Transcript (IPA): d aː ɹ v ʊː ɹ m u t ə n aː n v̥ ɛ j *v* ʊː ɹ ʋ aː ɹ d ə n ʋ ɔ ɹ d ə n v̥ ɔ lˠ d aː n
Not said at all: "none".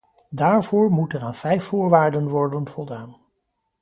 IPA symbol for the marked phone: f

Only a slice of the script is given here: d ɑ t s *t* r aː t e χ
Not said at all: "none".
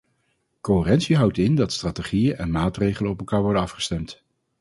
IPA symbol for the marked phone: t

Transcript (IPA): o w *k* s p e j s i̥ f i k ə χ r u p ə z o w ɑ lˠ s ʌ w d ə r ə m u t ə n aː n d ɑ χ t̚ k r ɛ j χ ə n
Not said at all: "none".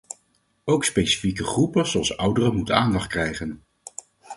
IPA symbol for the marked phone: k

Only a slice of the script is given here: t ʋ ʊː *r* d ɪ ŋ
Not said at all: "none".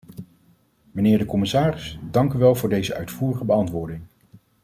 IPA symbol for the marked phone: ɹ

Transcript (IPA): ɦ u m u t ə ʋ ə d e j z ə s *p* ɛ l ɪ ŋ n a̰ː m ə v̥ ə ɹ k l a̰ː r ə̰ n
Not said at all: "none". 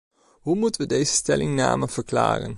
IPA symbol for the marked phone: t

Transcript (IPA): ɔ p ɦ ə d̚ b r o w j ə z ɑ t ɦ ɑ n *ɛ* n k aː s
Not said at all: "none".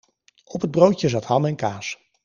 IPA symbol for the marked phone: ɛ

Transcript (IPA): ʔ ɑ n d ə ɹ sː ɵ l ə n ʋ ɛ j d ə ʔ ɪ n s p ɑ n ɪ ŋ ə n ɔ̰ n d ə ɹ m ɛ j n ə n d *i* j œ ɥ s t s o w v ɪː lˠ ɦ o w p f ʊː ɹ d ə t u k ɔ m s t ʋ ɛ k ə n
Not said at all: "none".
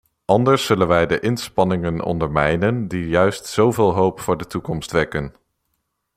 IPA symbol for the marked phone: i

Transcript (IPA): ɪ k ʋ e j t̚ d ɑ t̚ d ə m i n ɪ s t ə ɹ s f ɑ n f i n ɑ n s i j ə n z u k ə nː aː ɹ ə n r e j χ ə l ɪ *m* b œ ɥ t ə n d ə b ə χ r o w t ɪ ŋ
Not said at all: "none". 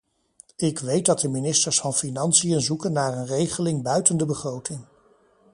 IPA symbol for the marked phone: ŋ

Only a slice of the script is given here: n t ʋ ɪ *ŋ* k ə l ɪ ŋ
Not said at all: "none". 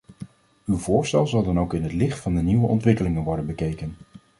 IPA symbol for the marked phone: none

